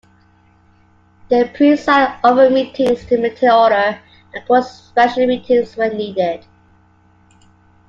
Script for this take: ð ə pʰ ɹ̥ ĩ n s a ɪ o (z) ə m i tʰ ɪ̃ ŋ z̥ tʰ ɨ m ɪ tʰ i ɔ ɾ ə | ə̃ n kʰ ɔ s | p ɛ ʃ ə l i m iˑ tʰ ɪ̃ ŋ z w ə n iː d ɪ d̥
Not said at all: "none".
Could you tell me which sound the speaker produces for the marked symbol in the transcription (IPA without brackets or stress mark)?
v